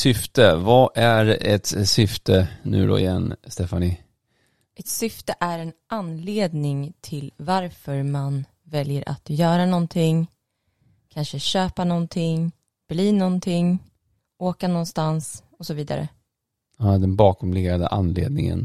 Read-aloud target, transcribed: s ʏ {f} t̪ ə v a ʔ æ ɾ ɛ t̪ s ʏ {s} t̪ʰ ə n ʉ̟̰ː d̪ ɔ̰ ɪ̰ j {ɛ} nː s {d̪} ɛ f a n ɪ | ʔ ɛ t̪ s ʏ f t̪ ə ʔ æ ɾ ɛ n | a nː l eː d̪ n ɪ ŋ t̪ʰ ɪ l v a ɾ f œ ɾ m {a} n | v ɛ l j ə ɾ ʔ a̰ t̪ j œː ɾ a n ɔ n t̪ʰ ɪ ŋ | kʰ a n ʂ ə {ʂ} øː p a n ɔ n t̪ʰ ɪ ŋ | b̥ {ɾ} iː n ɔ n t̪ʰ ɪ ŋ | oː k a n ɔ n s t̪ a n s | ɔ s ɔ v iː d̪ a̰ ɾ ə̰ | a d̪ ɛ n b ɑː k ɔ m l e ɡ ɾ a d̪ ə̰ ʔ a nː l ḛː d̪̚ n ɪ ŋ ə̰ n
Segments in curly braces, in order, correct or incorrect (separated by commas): correct, incorrect, correct, incorrect, correct, incorrect, incorrect